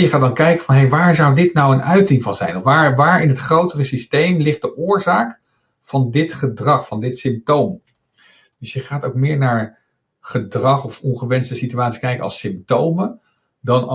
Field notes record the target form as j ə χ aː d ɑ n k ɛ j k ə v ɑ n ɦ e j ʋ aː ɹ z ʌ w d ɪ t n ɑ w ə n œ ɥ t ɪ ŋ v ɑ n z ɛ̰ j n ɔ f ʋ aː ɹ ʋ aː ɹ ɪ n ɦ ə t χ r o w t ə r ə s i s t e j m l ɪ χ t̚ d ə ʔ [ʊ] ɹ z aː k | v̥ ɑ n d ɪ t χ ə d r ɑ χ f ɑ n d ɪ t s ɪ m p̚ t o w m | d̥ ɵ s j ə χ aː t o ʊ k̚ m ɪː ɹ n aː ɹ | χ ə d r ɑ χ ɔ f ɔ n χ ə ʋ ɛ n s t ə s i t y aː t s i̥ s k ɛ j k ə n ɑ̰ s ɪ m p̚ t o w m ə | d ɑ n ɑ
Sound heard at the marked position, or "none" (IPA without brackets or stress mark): ʊː